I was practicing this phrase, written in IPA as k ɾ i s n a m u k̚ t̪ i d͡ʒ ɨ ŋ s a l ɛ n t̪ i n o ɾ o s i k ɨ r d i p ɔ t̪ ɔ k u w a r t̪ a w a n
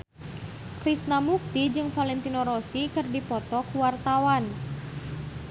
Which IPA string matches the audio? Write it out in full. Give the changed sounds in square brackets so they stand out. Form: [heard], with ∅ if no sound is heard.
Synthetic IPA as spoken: k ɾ i s n a m u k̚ t̪ i d͡ʒ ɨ ŋ [f] a l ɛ n t̪ i n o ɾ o s i k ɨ r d i p ɔ t̪ ɔ k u w a r t̪ a w a n

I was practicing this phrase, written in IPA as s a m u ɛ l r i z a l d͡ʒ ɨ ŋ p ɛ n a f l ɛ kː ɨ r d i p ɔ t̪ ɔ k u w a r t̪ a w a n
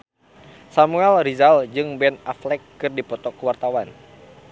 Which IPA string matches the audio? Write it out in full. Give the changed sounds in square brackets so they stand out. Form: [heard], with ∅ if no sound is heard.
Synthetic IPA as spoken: s a m u ɛ l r i z a l d͡ʒ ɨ ŋ [b] ɛ n a f l ɛ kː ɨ r d i p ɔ t̪ ɔ k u w a r t̪ a w a n

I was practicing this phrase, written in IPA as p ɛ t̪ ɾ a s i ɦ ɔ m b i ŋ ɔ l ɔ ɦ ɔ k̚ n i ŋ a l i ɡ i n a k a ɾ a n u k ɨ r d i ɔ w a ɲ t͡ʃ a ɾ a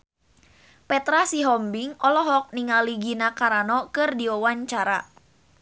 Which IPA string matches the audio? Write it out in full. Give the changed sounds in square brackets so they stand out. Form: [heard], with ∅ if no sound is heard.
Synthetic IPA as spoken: p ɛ t̪ ɾ a s i ɦ ɔ m b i ŋ ɔ l ɔ ɦ ɔ k̚ n i ŋ a l i ɡ i n a k a ɾ a n [ɔ] k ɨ r d i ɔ w a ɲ t͡ʃ a ɾ a

